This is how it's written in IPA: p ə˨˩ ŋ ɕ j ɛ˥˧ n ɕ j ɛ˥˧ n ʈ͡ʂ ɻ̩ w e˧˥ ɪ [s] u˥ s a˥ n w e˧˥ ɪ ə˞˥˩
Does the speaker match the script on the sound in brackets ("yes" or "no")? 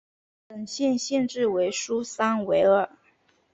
no